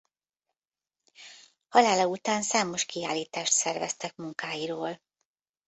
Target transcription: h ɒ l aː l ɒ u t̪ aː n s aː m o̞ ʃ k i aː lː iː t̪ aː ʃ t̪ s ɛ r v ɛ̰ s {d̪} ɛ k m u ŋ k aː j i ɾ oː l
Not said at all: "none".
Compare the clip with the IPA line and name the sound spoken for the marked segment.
t̪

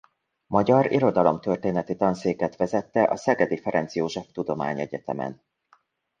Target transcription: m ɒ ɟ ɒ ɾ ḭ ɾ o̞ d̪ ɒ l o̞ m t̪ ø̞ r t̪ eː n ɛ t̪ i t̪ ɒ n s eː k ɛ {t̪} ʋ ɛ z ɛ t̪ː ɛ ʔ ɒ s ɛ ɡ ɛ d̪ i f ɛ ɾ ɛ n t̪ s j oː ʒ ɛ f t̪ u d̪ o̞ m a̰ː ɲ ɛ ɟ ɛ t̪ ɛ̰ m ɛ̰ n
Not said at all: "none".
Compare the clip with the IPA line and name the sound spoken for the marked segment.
t̪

